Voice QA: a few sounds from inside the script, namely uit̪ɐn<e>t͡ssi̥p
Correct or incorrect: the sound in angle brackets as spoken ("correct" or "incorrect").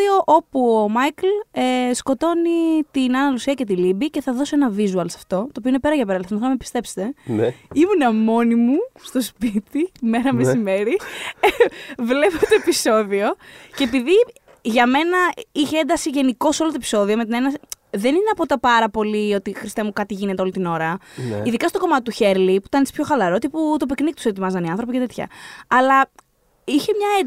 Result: correct